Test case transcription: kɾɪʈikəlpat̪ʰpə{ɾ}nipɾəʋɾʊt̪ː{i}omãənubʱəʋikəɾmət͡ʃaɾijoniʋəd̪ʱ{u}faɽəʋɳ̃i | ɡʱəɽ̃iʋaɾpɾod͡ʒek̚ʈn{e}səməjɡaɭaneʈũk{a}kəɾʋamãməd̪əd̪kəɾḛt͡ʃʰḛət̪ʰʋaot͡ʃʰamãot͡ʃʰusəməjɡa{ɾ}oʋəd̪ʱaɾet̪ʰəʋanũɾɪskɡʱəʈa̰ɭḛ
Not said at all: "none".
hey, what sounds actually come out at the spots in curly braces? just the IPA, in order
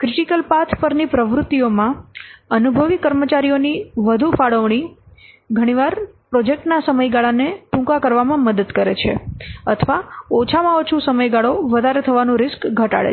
ɾ, i, u, a, a, ɭ

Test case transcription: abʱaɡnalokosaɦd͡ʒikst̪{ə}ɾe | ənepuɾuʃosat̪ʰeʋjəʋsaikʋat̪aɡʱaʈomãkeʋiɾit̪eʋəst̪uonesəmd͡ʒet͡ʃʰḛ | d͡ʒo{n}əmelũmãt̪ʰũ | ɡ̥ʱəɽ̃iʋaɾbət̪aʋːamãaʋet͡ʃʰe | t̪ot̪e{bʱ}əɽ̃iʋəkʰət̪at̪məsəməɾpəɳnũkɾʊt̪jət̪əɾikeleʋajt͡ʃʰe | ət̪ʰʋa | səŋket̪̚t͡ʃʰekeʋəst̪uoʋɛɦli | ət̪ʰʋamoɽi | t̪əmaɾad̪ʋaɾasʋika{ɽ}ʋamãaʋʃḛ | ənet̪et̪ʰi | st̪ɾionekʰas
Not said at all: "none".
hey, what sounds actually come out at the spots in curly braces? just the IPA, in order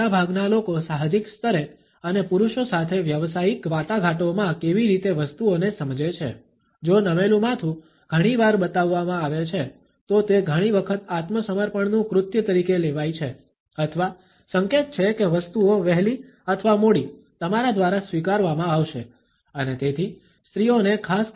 ə, n, ɡʱ, ɾ

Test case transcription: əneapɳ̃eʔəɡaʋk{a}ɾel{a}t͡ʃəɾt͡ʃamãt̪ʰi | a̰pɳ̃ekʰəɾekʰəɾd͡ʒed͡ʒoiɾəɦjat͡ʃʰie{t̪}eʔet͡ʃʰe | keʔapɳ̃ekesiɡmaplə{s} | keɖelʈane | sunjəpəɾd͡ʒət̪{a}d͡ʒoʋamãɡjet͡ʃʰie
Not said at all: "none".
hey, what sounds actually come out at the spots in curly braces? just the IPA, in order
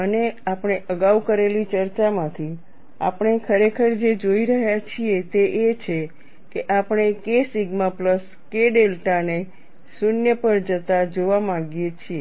ə, i, t̪, s, a

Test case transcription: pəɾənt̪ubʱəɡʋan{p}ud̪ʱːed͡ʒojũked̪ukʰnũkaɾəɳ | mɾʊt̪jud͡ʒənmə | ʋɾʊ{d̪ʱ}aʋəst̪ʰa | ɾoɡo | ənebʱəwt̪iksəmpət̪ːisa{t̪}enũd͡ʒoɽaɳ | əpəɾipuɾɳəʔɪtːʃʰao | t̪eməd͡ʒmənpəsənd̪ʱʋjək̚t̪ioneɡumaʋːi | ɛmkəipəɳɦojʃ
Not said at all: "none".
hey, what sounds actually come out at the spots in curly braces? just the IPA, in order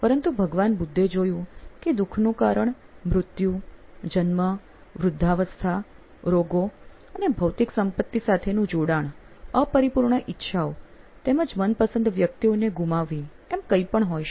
b, d̪ʱː, t̪ʰ

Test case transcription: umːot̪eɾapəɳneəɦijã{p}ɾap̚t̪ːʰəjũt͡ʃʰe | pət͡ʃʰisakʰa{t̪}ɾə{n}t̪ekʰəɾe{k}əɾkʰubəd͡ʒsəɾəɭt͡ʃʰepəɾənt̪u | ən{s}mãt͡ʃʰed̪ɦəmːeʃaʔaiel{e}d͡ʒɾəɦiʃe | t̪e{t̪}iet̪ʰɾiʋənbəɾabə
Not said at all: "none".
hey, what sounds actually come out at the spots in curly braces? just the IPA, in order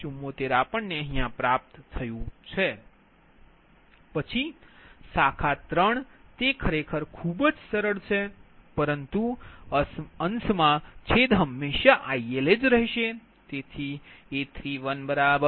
p, t̪, ɳ, kʰ, s, e, t̪ʰ

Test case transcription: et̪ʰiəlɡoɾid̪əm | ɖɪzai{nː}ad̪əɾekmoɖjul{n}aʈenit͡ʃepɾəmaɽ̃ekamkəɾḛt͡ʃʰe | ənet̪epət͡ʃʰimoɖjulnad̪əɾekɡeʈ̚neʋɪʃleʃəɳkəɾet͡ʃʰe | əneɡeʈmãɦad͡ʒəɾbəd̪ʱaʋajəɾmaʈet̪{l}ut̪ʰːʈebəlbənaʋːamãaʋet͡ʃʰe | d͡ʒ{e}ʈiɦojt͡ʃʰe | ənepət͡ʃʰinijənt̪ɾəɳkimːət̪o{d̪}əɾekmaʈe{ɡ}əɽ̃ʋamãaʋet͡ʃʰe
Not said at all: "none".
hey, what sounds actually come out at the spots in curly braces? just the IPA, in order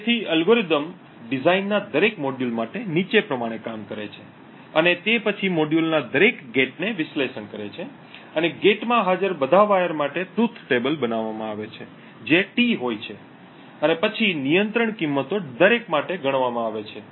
nː, m, ɾ, e, d̪, ɡ

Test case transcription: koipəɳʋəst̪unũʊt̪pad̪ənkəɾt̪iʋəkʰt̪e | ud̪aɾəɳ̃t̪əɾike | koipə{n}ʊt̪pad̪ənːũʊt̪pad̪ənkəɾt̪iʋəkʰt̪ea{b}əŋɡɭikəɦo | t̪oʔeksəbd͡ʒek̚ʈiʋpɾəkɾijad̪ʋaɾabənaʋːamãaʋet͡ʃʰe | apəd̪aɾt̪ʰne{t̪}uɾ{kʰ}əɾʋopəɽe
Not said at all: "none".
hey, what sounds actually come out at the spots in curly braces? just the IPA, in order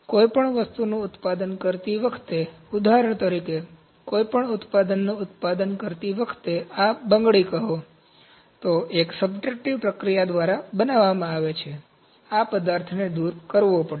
ɳ, b, d̪, k

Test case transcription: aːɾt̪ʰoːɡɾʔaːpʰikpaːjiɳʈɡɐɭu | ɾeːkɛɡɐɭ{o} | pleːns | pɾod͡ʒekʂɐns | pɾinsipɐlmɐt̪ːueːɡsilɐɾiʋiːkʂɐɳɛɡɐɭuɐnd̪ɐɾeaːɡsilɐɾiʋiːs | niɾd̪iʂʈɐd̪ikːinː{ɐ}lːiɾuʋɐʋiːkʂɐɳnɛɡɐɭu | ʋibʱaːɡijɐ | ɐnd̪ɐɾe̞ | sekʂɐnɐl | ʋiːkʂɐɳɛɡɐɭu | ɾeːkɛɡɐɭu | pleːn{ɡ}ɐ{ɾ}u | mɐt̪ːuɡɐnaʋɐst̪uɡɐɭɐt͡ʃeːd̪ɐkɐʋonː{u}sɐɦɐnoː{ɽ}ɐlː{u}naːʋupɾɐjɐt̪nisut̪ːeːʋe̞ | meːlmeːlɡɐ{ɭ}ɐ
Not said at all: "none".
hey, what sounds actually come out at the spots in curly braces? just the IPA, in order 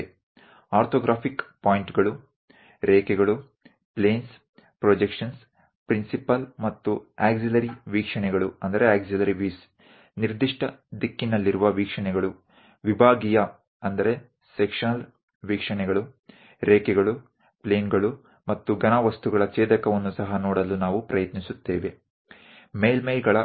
u, ɐ, ɡ, ɭ, u, ɽ, u, ɭ

